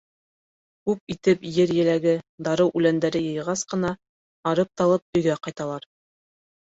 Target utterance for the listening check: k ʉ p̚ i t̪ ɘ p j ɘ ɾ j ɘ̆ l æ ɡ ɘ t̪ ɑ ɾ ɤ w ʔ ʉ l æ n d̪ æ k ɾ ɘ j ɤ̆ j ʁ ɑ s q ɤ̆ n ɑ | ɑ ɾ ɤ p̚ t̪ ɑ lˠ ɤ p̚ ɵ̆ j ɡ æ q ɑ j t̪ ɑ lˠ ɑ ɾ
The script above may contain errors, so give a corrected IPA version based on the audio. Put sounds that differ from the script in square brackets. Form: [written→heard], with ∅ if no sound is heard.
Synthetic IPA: k ʉ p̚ i t̪ ɘ p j ɘ ɾ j ɘ̆ l æ ɡ ɘ [t̪→d̪] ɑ ɾ ɤ w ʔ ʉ l æ n d̪ æ [k→∅] ɾ ɘ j ɤ̆ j ʁ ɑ s q ɤ̆ n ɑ | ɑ ɾ ɤ p̚ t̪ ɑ lˠ ɤ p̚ ɵ̆ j ɡ æ q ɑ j t̪ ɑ lˠ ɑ ɾ